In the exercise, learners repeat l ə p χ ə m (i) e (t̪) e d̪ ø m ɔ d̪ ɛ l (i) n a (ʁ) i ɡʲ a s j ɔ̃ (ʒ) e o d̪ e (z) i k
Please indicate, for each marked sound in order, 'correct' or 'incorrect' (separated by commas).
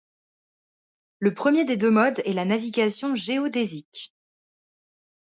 incorrect, incorrect, incorrect, incorrect, correct, correct